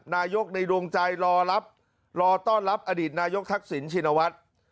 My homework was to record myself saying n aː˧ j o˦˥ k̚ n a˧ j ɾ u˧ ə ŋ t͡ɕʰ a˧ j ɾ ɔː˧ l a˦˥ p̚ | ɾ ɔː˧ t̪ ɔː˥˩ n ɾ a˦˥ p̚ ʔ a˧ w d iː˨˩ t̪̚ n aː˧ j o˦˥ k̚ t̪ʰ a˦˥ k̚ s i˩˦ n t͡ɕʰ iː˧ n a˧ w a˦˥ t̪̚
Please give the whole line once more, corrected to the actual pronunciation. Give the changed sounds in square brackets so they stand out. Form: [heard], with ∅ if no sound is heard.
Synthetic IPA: n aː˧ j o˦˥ k̚ n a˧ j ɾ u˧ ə ŋ [t͡ɕ] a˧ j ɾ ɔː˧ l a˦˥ p̚ | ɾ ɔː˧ t̪ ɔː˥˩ n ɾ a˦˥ p̚ ʔ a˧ [∅] d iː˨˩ t̪̚ n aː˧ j o˦˥ k̚ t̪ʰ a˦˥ k̚ s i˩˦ n t͡ɕʰ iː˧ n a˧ w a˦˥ t̪̚